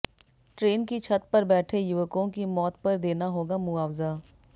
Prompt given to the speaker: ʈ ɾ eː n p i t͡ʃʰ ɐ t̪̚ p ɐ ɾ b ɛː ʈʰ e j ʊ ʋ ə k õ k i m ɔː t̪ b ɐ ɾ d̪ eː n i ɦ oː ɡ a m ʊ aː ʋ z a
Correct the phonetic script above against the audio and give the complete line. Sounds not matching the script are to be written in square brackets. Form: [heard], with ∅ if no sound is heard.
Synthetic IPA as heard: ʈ ɾ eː n [k] i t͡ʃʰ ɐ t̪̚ p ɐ ɾ b ɛː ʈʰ e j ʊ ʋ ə k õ k i m ɔː t̪ [p] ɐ ɾ d̪ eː n [a] ɦ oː ɡ a m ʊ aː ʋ z a